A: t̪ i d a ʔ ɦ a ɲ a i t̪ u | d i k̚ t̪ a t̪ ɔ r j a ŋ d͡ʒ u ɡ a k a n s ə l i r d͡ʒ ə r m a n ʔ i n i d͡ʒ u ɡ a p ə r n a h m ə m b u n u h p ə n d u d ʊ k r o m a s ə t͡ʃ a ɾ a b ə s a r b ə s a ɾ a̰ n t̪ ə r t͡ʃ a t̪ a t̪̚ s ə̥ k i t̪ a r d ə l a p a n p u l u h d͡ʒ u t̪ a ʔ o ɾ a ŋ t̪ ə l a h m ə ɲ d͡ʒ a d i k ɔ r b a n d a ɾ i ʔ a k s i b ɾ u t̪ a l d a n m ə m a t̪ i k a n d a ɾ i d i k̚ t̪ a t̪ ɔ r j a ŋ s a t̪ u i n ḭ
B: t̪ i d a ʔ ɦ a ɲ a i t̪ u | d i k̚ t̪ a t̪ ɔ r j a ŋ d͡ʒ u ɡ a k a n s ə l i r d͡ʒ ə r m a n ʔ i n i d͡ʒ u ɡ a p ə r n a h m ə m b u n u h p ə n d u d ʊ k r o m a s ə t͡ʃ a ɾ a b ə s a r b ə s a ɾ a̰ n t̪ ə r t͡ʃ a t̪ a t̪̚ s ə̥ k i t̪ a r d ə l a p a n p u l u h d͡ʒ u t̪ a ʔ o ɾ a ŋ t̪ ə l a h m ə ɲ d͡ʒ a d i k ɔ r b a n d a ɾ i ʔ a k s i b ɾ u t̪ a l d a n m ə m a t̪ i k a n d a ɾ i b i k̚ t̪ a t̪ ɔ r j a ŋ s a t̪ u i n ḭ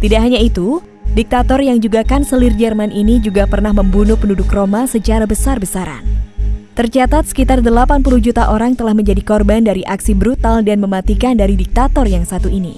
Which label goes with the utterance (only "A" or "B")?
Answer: A